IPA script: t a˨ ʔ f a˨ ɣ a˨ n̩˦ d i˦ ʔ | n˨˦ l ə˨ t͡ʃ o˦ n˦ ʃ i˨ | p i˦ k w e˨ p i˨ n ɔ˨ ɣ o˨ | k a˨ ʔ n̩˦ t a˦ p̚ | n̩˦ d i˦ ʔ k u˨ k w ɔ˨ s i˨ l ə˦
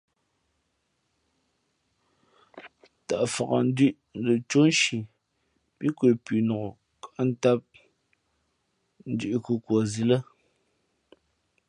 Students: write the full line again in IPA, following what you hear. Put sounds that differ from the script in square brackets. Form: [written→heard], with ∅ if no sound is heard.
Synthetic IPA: t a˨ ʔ f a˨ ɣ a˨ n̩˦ d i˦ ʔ | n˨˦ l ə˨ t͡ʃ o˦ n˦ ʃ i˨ | p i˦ k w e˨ p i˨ n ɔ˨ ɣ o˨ | k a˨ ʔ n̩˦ t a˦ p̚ | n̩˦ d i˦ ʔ k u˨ k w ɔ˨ [s→z] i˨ l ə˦